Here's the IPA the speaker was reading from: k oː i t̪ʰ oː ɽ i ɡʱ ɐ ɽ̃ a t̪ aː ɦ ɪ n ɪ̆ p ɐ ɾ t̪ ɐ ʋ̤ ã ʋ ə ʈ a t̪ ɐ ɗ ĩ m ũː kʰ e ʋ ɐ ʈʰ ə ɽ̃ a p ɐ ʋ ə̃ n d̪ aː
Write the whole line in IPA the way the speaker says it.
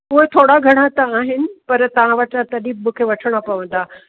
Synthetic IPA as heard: k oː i t̪ʰ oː ɽ a ɡʱ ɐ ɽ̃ a t̪ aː ɦ ɪ n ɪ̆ p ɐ ɾ t̪ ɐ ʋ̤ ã ʋ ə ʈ a t̪ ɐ ɗ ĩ m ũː kʰ e ʋ ɐ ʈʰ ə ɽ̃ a p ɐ ʋ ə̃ n d̪ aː

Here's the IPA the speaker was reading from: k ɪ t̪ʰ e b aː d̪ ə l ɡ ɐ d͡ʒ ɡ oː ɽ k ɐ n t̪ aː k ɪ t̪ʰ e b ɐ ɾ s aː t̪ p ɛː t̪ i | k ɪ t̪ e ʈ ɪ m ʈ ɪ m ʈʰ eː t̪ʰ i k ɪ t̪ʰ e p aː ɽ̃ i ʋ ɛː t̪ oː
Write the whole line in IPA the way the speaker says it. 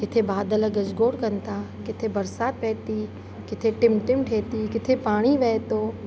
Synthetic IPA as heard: k ɪ t̪ʰ e b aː d̪ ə l ɡ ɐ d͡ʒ ɡ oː ɽ k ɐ n t̪ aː k ɪ t̪ʰ e b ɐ ɾ s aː t̪ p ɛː t̪ i | k ɪ t̪ʰ e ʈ ɪ m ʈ ɪ m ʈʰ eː t̪ i k ɪ t̪ʰ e p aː ɽ̃ i ʋ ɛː t̪ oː

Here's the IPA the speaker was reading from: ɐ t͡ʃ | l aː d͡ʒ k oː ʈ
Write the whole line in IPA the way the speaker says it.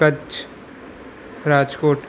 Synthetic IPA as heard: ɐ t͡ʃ | ɾ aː d͡ʒ k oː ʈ

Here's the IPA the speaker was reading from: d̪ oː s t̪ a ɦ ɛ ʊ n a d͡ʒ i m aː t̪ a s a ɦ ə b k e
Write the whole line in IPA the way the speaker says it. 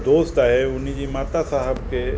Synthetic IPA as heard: d̪ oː s t̪ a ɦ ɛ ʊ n i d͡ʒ i m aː t̪ a s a ɦ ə b k e

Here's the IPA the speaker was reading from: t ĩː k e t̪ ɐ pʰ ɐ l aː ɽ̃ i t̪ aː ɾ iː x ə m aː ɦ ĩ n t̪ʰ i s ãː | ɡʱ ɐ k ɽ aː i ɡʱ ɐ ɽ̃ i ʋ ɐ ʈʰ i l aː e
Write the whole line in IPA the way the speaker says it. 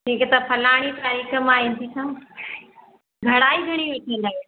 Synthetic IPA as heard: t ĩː k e t̪ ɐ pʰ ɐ l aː ɽ̃ i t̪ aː ɾ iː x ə m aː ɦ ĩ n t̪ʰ i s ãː | ɡʱ ɐ ɽ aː i ɡʱ ɐ ɽ̃ i ʋ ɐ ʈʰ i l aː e

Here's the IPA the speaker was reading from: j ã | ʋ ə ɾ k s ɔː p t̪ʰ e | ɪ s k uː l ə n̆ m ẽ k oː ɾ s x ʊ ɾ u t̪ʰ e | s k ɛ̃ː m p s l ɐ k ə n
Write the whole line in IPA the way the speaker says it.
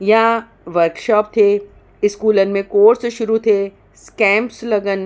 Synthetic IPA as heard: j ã | ʋ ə ɾ k ʃ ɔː p t̪ʰ e | ɪ s k uː l ə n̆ m ẽ k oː ɾ s ʃ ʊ ɾ u t̪ʰ e | s k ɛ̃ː m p s l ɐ ɡ ə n

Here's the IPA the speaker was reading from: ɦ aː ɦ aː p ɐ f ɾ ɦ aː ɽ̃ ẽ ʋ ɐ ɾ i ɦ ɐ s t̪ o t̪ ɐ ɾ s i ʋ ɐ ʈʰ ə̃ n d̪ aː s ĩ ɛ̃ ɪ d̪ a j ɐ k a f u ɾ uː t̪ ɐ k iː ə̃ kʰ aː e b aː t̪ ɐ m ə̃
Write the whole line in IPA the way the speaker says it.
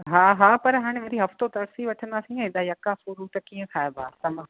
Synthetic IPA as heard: ɦ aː ɦ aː p ɐ ɾ ɦ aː ɽ̃ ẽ ʋ ɐ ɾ i ɦ ɐ f t̪ o t̪ ɐ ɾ s i ʋ ɐ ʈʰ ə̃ n d̪ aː s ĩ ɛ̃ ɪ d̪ a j ɐ k a f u ɾ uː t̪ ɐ k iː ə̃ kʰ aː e b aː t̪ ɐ m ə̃

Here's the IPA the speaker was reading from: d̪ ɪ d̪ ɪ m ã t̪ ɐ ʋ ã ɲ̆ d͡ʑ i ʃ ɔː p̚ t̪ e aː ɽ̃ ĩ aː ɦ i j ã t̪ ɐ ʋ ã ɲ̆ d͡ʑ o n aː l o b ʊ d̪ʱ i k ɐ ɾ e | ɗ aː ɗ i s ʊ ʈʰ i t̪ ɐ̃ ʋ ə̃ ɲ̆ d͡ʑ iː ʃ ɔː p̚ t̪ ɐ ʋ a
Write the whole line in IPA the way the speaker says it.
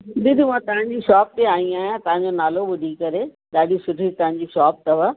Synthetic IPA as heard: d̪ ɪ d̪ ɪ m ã t̪ ɐ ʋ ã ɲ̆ d͡ʑ i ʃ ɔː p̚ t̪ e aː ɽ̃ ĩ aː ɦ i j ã t̪ ɐ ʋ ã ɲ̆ d͡ʑ o n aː l o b ʊ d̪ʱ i k ɐ ɾ e | ɗ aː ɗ i s ʊ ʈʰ i t̪ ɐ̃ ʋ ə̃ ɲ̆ d͡ʑ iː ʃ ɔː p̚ t̪ ɐ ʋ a

